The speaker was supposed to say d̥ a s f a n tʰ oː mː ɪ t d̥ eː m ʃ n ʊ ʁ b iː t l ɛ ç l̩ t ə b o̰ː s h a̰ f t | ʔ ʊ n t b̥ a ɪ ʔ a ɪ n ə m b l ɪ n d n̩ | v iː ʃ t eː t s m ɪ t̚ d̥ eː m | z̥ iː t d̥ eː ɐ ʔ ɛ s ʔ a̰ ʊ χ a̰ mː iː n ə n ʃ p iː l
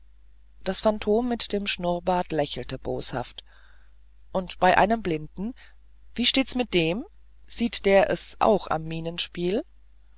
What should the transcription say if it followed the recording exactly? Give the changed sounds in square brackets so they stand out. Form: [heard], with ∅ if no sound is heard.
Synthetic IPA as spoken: d̥ a s f a n tʰ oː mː ɪ t d̥ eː m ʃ n ʊ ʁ b [aː] t l ɛ ç l̩ t ə b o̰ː s h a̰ f t | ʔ ʊ n t b̥ a ɪ ʔ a ɪ n ə m b l ɪ n d n̩ | v iː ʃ t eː t s m ɪ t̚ d̥ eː m | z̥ iː t d̥ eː ɐ ʔ ɛ s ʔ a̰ ʊ [x] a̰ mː iː n ə n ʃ p iː l

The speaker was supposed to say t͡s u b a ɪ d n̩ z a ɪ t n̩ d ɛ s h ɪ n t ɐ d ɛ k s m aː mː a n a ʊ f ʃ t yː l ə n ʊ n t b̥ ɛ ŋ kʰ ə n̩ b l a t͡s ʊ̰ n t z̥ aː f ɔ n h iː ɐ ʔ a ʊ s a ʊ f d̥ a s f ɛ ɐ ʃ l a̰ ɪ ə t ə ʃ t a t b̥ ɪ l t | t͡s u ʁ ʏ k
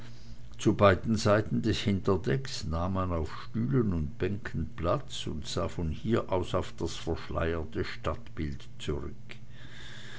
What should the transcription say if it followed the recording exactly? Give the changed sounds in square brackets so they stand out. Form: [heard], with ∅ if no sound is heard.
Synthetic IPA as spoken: t͡s u b a ɪ d n̩ z a ɪ t n̩ d ɛ s h ɪ n t ɐ d ɛ k s [n] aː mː a n a ʊ f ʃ t yː l ə n ʊ n t b̥ ɛ ŋ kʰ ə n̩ [p] l a t͡s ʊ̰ n t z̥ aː f ɔ n h iː ɐ ʔ a ʊ s a ʊ f d̥ a s f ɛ ɐ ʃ l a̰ ɪ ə t ə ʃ t a t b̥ ɪ l t | t͡s u ʁ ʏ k

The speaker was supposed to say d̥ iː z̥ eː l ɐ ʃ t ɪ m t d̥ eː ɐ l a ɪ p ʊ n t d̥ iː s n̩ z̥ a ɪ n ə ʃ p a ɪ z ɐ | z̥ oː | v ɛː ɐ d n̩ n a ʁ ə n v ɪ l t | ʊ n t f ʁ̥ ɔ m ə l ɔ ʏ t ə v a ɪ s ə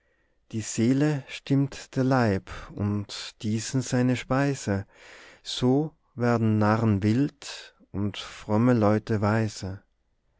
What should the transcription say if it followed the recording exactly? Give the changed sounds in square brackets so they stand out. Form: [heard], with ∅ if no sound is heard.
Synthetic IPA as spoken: d̥ iː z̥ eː l [ə] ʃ t ɪ m t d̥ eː ɐ l a ɪ p ʊ n t d̥ iː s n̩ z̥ a ɪ n ə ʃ p a ɪ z [ə] | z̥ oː | v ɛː ɐ d n̩ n a ʁ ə n v ɪ l t | ʊ n t f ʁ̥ ɔ m ə l ɔ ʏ t ə v a ɪ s ə

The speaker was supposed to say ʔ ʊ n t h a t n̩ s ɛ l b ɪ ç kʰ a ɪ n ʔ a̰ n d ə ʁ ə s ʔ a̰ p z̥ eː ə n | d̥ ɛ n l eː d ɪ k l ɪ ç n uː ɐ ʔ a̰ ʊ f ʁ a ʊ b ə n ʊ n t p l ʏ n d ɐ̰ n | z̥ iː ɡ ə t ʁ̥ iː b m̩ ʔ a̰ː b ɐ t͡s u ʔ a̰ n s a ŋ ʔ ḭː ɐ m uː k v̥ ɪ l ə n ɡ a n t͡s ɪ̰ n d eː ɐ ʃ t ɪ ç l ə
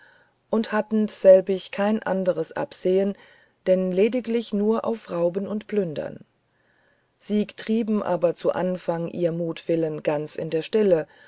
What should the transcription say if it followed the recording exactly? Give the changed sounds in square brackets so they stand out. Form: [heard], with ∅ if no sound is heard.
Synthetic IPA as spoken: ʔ ʊ n t h a t n̩ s ɛ l b ɪ ç kʰ a ɪ n ʔ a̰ n d ə ʁ ə s ʔ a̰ p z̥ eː ə n | d̥ ɛ n l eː d ɪ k l ɪ ç n uː ɐ ʔ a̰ ʊ f ʁ a ʊ b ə n ʊ n t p l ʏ n d ɐ̰ n | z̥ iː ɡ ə t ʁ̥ iː b m̩ ʔ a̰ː b ɐ t͡s u ʔ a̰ n [f] a ŋ ʔ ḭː ɐ m uː [t] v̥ ɪ l ə n ɡ a n t͡s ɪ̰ n d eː ɐ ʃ t ɪ [∅] l ə

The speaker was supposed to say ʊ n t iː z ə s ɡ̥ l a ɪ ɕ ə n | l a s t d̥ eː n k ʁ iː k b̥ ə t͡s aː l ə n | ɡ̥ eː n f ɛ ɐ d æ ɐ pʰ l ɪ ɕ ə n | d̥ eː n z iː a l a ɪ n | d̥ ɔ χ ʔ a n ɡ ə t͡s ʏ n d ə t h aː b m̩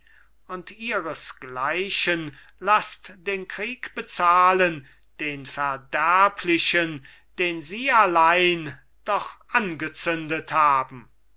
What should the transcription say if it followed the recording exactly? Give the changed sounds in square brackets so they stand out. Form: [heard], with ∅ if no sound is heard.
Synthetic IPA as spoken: ʊ n t iː [ʁ] ə s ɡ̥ l a ɪ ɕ ə n | l a s t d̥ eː n k ʁ iː k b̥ ə t͡s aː l ə n | [d̥] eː n f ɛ ɐ d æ ɐ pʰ l ɪ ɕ ə n | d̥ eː n z iː a l a ɪ n | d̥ ɔ χ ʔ a n ɡ ə t͡s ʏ n d ə t h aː b m̩

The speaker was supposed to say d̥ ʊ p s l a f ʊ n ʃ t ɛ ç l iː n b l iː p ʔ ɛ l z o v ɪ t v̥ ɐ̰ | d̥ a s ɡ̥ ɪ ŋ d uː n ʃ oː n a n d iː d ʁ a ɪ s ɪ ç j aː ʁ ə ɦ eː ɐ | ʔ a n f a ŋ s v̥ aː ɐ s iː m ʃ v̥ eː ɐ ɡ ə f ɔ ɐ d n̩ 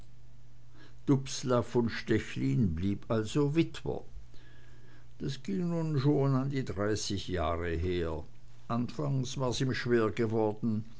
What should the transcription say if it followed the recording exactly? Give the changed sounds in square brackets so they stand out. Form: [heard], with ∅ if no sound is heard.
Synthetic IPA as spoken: d̥ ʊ p s l a f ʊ n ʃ t ɛ ç l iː n b l iː p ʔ [a] l z o v ɪ t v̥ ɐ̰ | d̥ a s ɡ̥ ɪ ŋ [n] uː n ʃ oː n a n d iː d ʁ a ɪ s ɪ ç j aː ʁ ə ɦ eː ɐ | ʔ a n f a ŋ s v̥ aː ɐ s iː m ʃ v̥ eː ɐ ɡ ə [v] ɔ ɐ d n̩

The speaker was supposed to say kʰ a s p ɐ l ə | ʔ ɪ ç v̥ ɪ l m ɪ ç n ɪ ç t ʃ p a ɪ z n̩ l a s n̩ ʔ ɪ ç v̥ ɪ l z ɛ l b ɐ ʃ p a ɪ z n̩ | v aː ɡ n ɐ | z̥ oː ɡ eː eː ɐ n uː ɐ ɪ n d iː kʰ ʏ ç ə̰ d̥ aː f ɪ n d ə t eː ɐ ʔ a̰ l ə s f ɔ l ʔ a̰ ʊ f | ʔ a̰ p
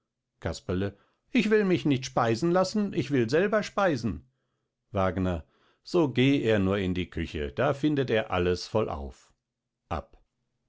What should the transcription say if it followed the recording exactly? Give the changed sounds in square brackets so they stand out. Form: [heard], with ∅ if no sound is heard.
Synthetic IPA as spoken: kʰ a s p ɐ l ə | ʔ ɪ ç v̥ ɪ l m ɪ ç n ɪ ç t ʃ p a ɪ z n̩ l a s n̩ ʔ ɪ ç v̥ ɪ l z ɛ l b ɐ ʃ p a ɪ z n̩ | v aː ɡ n ɐ | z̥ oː ɡ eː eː ɐ n uː ɐ ɪ n d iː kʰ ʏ ç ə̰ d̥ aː f ɪ n d ə t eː ɐ ʔ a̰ l ə s f ɔ l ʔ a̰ ʊ f | ʔ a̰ p

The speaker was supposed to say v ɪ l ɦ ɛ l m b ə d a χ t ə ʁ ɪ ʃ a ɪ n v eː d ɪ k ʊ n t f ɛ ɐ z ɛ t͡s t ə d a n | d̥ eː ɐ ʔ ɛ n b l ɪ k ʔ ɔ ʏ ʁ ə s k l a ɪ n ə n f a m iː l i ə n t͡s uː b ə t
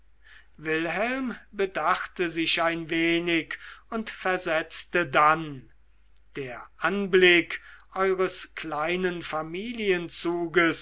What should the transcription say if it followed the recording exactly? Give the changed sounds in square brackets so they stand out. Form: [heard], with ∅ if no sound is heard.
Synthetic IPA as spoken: v ɪ l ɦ ɛ l m b ə d a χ t ə [z] ɪ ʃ a ɪ n v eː [n] ɪ k ʊ n t f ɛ ɐ z ɛ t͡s t ə d a n | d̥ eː ɐ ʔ [a] n b l ɪ k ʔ ɔ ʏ ʁ ə s k l a ɪ n ə n f a m iː l i ə n t͡s uː [ɡ] ə [s]

